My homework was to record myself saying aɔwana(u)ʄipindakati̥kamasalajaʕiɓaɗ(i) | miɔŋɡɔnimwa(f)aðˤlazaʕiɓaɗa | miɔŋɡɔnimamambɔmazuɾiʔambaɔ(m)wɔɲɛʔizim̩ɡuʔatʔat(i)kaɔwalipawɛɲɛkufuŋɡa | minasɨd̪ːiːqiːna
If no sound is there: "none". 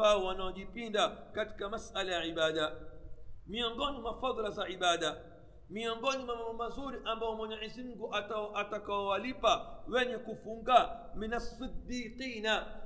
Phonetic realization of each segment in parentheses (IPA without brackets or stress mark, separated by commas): ɔ, a, f, m, a